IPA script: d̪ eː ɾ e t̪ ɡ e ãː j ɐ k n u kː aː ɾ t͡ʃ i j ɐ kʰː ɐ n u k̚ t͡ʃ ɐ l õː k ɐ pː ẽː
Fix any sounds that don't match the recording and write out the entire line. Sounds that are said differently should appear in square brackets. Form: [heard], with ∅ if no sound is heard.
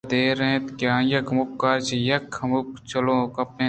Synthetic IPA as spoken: d̪ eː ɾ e t̪ [k] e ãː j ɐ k [m] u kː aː ɾ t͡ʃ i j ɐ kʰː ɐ [m] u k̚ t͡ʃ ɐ l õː k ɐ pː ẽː